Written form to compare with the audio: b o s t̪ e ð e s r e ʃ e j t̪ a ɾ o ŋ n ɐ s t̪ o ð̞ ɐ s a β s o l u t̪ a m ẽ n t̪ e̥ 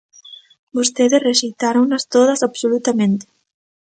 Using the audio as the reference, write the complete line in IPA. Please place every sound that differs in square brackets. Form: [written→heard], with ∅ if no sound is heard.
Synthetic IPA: b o s t̪ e ð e s r e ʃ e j t̪ a ɾ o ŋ n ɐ s t̪ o ð̞ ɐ s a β s o l u t̪ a m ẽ n t̪ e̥